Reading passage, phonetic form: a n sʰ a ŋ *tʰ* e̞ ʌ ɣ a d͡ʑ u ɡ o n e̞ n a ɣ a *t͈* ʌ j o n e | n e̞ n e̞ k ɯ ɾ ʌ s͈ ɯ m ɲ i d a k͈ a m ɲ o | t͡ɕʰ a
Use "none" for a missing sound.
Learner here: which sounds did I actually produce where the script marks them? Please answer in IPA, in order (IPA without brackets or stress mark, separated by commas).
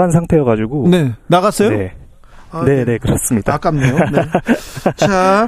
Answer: tʰ, s͈